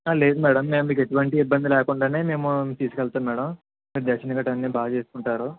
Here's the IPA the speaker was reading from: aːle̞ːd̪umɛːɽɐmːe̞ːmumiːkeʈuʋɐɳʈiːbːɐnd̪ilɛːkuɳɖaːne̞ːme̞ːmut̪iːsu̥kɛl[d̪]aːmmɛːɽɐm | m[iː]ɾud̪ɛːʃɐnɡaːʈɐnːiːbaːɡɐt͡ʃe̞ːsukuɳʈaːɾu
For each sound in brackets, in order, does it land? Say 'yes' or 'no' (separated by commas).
no, yes